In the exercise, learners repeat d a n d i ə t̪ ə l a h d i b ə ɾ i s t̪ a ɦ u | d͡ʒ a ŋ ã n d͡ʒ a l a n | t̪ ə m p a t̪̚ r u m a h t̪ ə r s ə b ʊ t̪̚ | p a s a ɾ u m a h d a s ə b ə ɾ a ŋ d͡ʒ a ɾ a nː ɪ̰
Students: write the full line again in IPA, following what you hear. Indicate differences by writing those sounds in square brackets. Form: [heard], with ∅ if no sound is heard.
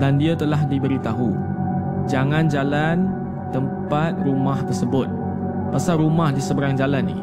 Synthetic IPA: d a n d i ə t̪ ə l a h d i b ə ɾ i [∅] t̪ a ɦ u | d͡ʒ a ŋ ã n d͡ʒ a l a n | t̪ ə m p a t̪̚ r u m a h t̪ ə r s ə b ʊ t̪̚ | p a s a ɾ u m a h d [i] s ə b ə ɾ a ŋ d͡ʒ a [l] a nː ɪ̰